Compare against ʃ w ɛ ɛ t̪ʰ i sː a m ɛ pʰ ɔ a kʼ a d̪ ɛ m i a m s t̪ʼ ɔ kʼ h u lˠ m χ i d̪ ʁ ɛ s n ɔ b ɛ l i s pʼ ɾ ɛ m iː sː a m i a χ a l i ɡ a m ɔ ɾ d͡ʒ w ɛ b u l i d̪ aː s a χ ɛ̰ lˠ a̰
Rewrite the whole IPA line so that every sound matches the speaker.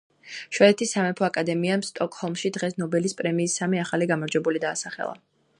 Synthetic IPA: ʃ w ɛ ɛ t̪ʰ i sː a m ɛ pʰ ɔ a kʼ a d̪ ɛ m i a m s t̪ʼ ɔ kʼ h ɔ lˠ m ʃ i d̪ ʁ ɛ s n ɔ b ɛ l i s pʼ ɾ ɛ m iː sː a m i a χ a l i ɡ a m ɔ ɾ d͡ʒ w ɛ b u l i d̪ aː s a χ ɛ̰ lˠ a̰